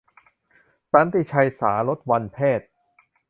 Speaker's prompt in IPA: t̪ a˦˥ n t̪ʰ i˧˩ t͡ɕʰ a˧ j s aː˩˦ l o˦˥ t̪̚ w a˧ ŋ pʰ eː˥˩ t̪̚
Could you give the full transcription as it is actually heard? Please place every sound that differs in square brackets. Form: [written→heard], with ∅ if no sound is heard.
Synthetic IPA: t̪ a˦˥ n [t̪ʰ→t̪] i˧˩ t͡ɕʰ a˧ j s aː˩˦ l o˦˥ t̪̚ w a˧ [ŋ→n] pʰ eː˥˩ t̪̚